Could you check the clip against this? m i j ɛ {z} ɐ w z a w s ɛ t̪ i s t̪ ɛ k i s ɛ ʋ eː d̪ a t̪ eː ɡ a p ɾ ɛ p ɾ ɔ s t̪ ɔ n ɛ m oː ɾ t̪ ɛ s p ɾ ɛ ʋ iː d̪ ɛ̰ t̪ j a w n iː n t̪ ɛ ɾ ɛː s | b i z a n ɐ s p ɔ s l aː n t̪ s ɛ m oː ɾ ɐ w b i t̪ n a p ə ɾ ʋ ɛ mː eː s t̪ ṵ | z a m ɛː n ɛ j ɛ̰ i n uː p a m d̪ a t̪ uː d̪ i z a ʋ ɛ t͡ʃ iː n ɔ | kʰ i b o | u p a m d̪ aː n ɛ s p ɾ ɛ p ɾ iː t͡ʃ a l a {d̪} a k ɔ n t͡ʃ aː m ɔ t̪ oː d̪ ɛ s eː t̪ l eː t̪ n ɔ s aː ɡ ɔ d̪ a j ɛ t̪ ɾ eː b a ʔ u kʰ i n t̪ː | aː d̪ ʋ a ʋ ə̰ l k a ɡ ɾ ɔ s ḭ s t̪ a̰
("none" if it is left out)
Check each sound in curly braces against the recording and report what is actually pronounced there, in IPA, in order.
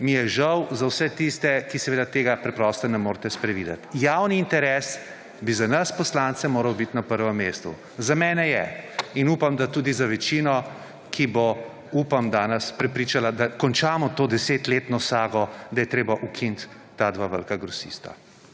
ʒ, d̪

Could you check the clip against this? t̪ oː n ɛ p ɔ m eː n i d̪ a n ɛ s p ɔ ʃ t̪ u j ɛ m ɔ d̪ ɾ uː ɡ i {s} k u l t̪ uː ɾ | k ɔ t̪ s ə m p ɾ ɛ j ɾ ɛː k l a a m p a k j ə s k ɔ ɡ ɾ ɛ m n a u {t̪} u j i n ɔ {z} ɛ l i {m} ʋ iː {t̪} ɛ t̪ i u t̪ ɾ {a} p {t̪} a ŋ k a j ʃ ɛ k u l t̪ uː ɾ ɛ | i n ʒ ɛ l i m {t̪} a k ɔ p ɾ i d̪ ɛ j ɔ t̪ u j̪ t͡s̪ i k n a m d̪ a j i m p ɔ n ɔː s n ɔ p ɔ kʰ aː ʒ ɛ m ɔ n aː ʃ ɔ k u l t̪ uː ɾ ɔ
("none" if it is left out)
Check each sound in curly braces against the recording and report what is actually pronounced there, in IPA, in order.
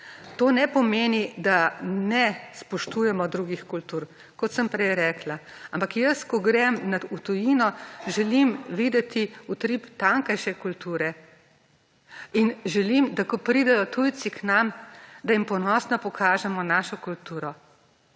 x, t̪, ʒ, m, d̪, i, t̪, d̪

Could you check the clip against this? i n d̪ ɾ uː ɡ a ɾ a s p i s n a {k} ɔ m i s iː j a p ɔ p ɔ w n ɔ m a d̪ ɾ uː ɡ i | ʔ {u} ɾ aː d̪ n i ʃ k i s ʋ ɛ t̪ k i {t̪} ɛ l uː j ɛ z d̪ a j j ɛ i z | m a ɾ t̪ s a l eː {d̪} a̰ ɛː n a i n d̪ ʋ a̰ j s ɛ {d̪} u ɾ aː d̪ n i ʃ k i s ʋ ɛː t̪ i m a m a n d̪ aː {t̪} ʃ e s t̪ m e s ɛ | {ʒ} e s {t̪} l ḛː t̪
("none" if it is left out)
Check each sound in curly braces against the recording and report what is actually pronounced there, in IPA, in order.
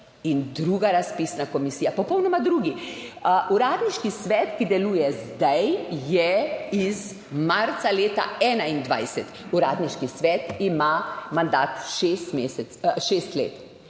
k, u, d̪, t̪, t̪, t̪, ʃ, t̪

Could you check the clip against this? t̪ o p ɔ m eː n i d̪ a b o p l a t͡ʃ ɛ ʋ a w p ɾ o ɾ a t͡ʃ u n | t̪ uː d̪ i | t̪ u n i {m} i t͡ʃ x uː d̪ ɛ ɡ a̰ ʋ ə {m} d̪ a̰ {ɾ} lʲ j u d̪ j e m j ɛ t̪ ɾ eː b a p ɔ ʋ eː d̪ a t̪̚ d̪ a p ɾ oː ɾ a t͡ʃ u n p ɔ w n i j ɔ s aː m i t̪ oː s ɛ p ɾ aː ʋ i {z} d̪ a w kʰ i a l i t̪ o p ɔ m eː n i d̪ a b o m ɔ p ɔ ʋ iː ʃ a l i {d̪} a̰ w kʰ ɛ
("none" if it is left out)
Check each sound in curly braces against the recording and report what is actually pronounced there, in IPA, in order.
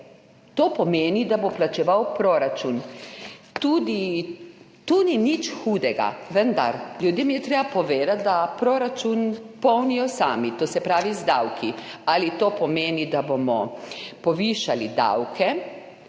n, n, ɾ, z, d̪

